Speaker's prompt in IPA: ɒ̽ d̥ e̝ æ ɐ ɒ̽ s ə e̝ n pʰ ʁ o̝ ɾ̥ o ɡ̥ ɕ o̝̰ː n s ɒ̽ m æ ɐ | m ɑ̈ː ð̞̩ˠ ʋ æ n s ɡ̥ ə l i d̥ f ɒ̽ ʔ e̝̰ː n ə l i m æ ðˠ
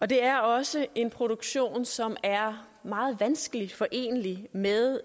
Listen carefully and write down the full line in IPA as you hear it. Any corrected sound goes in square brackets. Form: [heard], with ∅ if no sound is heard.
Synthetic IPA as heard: ɒ̽ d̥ e̝ æ ɐ ɒ̽ s ə e̝ n pʰ ʁ o̝ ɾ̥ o ɡ̥ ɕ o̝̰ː n s ɒ̽ m æ ɐ | m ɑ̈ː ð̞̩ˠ ʋ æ n s ɡ̥ ə l i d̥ f ɒ̽ ʔ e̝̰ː n ə l i m [e] ðˠ